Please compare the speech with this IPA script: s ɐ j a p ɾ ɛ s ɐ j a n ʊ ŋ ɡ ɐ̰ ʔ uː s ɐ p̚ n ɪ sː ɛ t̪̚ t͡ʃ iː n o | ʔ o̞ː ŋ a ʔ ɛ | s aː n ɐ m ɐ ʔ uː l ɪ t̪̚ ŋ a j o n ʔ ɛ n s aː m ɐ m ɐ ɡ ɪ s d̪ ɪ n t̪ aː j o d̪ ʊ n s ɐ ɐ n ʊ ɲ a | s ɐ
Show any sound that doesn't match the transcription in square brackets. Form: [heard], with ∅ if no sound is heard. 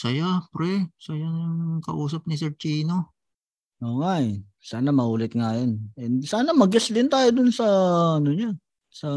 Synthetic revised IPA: s ɐ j a p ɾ ɛ s ɐ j a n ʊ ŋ [k] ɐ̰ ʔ uː s ɐ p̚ n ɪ [s] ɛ [∅] t͡ʃ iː n o | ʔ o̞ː ŋ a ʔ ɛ | s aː n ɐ m ɐ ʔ uː l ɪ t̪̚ ŋ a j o n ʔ ɛ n s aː [n] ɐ m ɐ ɡ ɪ s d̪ ɪ n t̪ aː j o d̪ ʊ n s ɐ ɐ n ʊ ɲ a | s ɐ